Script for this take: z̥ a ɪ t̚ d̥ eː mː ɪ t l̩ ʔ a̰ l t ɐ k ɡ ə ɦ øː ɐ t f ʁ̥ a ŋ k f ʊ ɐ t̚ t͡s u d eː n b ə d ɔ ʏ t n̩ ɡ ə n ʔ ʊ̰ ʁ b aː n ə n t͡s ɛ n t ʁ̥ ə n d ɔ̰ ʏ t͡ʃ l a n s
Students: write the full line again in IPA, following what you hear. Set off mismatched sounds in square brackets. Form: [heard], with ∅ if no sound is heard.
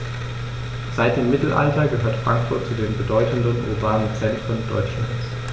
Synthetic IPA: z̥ a ɪ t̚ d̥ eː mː ɪ t l̩ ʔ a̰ l t ɐ [∅] ɡ ə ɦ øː ɐ t f ʁ̥ a ŋ k f ʊ ɐ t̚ t͡s u d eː n b ə d ɔ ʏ t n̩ [d] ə n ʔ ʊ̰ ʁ b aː n ə n t͡s ɛ n t ʁ̥ ə n d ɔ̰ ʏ t͡ʃ l a n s